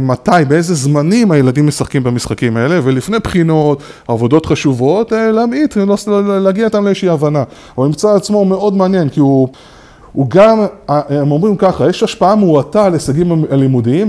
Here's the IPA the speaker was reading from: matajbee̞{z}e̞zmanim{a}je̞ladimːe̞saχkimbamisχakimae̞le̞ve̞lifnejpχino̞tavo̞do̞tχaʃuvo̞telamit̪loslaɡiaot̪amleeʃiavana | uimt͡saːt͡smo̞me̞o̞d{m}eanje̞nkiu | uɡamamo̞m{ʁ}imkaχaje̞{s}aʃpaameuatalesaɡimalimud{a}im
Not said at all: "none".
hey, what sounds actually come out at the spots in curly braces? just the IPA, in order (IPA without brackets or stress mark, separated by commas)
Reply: z, a, m, ʁ, ʃ, i